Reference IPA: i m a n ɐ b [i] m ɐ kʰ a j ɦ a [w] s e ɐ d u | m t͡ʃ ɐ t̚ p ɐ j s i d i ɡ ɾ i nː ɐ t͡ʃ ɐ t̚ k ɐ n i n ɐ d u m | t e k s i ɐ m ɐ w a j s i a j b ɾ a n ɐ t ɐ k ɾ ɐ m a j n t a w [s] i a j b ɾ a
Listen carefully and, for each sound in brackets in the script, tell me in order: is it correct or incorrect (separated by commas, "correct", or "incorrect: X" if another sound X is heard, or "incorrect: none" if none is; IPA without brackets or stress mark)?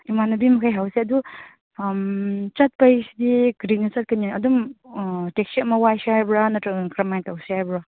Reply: correct, correct, correct